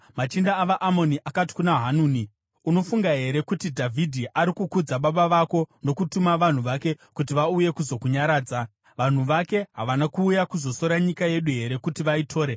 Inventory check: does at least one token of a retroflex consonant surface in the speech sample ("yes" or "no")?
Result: no